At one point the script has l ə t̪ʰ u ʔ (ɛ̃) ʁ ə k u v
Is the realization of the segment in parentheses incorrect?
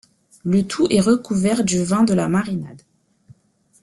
yes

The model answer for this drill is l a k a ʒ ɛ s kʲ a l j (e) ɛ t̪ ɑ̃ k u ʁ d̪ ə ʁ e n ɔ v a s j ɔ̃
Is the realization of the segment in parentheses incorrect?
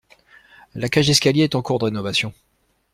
no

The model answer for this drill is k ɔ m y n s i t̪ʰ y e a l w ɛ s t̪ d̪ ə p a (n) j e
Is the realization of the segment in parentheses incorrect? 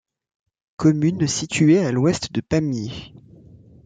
yes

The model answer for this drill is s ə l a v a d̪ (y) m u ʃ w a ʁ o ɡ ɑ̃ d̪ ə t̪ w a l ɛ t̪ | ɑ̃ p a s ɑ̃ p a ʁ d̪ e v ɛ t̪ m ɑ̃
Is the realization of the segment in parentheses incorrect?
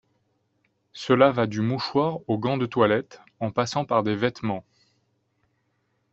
no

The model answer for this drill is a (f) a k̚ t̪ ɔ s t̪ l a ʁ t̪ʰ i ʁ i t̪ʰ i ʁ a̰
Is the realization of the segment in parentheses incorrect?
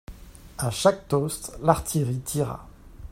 yes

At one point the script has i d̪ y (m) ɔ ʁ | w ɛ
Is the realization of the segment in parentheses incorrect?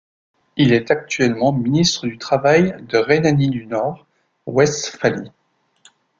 yes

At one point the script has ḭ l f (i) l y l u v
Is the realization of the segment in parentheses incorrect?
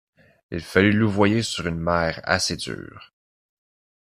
yes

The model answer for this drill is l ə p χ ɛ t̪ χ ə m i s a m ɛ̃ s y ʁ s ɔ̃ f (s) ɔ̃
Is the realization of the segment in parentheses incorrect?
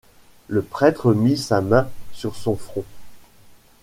yes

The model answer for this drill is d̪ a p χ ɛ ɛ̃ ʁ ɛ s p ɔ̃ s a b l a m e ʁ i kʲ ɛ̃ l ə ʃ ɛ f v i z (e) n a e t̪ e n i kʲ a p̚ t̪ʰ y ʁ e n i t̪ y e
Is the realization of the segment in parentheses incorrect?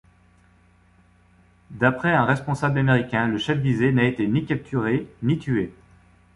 no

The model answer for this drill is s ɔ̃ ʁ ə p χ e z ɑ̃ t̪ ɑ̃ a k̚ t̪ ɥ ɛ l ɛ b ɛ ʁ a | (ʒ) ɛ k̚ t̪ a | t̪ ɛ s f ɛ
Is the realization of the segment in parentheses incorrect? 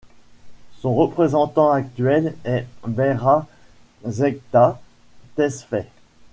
yes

